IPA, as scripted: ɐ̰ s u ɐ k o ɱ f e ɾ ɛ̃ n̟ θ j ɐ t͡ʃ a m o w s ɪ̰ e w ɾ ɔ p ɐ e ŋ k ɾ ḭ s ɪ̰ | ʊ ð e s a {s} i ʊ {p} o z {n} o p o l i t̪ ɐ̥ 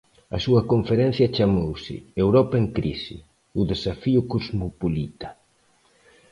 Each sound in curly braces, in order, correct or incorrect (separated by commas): incorrect, incorrect, incorrect